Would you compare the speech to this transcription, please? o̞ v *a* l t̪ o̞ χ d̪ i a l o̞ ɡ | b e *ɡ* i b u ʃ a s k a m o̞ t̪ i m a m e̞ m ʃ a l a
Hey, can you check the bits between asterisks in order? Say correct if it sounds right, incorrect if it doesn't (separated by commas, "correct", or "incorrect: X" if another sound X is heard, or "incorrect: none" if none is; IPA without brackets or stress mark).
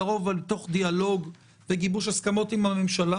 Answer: correct, correct